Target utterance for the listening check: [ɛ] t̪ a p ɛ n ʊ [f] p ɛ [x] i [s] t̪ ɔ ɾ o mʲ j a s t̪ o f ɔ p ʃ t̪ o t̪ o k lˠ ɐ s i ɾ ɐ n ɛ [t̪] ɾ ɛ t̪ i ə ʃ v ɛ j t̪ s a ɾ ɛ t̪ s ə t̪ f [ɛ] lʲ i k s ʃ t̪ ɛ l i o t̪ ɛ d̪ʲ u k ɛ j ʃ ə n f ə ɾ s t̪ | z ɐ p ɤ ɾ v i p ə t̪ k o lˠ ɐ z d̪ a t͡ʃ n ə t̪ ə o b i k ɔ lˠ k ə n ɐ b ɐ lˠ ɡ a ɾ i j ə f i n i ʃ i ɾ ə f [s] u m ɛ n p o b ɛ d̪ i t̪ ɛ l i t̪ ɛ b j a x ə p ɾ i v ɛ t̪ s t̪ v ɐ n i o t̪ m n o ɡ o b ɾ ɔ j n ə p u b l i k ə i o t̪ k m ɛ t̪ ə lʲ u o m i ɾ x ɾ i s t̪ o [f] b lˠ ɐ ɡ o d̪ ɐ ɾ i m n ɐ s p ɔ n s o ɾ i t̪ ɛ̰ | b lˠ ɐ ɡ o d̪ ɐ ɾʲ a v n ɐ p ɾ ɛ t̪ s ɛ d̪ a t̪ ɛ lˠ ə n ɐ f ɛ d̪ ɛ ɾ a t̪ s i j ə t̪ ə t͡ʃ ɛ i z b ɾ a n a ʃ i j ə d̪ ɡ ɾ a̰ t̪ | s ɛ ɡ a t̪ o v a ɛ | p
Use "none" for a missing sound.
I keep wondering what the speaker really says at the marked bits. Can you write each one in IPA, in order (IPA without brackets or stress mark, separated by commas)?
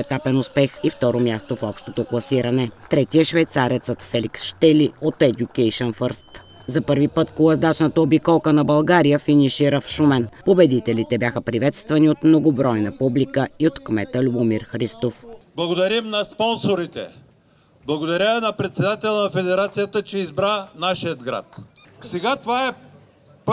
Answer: ɛ, s, x, f, t̪, ɛ, ʃ, f